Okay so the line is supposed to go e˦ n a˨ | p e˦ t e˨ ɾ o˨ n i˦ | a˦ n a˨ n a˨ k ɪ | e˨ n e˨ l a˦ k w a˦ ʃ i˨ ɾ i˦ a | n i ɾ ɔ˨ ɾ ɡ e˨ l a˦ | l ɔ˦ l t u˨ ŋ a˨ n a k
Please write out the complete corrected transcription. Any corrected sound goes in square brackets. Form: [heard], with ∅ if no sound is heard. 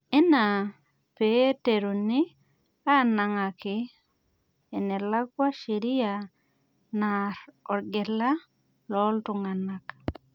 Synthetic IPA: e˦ n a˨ | p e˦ t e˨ ɾ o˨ n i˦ | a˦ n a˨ [ŋ] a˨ k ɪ | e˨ n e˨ l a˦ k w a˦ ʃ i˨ ɾ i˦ a | n [a] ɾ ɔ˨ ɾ ɡ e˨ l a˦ | l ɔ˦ l t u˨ ŋ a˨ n a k